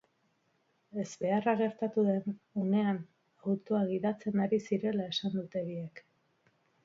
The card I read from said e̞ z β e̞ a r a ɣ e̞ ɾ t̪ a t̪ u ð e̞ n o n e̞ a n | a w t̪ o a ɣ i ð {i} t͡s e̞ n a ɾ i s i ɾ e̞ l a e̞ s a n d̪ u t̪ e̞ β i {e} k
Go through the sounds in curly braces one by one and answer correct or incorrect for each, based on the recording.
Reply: incorrect: a, correct

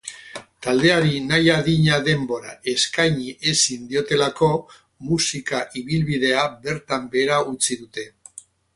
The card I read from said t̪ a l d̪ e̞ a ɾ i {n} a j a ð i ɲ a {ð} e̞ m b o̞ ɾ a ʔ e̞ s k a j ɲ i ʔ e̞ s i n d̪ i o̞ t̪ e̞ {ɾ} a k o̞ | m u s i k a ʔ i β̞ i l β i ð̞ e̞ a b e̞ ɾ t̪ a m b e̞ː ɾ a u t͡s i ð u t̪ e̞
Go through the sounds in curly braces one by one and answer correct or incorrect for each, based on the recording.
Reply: correct, correct, incorrect: l

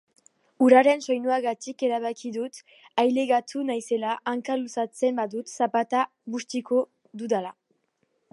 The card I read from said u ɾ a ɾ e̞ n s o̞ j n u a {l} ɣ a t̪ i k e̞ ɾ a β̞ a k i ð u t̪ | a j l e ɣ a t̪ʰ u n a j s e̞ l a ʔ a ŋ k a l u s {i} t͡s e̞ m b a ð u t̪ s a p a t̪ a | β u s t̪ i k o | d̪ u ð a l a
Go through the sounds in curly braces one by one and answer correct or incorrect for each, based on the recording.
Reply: incorrect: none, incorrect: a

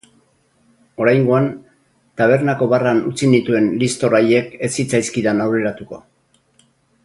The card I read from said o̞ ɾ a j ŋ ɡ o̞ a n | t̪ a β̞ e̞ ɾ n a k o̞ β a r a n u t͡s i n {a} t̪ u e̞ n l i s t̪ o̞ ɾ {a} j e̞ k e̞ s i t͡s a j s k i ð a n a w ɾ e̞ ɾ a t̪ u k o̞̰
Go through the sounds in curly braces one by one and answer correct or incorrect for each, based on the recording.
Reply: incorrect: i, correct

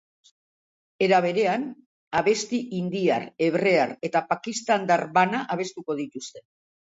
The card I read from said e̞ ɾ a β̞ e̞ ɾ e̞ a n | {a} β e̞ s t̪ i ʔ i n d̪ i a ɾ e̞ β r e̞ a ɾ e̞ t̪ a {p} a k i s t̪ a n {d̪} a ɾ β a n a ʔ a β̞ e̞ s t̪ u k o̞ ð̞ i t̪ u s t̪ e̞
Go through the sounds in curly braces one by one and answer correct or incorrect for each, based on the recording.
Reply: correct, correct, correct

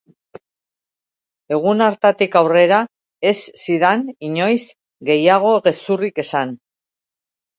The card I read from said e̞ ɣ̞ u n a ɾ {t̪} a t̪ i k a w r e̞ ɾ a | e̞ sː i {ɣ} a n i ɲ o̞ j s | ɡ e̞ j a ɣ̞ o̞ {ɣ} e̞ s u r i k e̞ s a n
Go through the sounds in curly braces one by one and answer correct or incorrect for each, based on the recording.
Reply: correct, incorrect: ð, correct

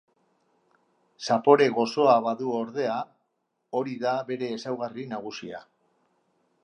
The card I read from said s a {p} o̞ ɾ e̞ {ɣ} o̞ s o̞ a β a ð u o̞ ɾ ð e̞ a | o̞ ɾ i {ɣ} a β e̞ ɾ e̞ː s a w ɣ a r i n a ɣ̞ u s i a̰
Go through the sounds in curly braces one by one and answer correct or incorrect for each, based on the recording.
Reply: correct, correct, incorrect: ð

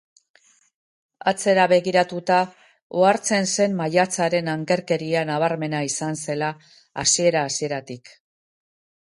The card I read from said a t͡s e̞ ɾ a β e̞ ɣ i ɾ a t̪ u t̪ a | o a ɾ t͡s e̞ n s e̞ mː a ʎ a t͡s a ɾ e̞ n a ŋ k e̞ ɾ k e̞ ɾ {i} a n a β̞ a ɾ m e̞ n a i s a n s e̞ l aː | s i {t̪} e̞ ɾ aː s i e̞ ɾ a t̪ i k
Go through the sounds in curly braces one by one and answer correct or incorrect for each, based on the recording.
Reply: correct, incorrect: none

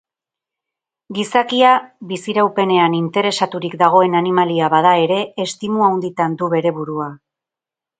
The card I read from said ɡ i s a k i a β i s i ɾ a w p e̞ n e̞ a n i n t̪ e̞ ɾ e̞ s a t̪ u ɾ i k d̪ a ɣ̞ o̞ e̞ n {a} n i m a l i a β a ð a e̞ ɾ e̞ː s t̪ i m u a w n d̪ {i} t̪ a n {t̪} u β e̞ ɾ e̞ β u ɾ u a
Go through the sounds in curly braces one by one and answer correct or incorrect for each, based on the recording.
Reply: correct, correct, incorrect: d̪

